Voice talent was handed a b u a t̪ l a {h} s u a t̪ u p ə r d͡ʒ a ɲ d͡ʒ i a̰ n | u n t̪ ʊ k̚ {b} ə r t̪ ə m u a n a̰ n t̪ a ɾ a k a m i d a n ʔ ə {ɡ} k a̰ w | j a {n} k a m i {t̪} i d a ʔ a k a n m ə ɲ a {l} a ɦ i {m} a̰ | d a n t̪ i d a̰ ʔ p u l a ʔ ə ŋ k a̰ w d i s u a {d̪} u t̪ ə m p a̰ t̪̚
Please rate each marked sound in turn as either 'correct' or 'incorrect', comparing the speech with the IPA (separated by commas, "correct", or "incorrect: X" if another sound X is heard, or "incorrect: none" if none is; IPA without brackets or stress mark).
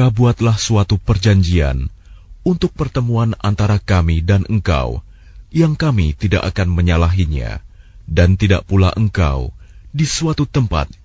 correct, incorrect: p, incorrect: ŋ, incorrect: ŋ, correct, correct, incorrect: ɲ, incorrect: t̪